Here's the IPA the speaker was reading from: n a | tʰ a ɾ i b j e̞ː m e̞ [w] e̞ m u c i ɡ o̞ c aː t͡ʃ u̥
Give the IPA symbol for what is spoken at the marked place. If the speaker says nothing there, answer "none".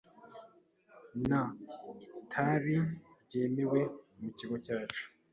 w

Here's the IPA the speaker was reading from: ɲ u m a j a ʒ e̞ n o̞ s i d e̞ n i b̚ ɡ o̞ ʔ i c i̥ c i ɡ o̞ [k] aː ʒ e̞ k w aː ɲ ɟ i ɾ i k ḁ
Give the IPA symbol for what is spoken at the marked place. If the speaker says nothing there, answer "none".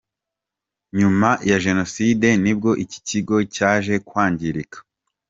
c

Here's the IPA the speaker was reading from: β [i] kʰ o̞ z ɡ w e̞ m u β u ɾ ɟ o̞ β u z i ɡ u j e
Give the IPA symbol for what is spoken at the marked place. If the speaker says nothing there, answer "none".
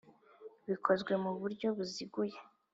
i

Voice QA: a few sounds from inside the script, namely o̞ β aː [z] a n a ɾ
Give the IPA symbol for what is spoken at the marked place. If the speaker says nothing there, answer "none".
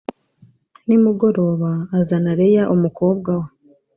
z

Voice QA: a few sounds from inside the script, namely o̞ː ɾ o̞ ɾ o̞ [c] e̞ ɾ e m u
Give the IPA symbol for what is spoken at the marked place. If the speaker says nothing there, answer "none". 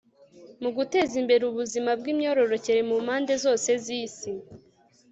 c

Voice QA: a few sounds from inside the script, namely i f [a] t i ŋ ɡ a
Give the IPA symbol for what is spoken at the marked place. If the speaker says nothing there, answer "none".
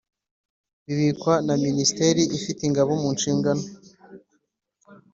i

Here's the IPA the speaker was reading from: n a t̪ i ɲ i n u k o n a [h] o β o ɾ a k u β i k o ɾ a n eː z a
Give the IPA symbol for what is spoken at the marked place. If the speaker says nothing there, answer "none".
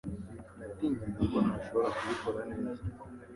ʃ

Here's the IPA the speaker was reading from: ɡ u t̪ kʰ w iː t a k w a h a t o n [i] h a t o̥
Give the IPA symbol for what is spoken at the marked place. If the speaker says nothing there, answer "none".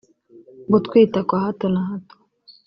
a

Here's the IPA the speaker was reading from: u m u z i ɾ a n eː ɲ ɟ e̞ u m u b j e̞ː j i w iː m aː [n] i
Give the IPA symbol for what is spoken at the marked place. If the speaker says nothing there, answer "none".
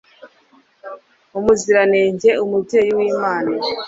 n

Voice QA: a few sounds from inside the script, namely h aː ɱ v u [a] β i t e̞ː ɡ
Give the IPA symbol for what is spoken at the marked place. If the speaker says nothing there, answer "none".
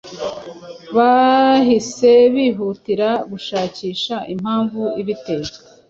i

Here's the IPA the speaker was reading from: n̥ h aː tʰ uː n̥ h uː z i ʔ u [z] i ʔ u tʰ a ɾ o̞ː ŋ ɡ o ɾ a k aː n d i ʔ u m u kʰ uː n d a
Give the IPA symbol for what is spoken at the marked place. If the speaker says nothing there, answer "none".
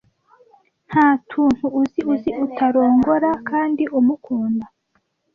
z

